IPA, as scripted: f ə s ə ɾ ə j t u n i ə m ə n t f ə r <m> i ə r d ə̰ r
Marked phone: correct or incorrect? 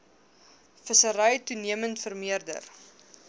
correct